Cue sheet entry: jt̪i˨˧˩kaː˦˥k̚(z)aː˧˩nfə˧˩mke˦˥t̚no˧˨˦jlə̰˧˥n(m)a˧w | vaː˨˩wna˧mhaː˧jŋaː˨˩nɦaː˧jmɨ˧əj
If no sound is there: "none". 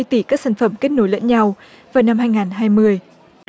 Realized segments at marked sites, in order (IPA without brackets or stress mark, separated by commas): s, ɲ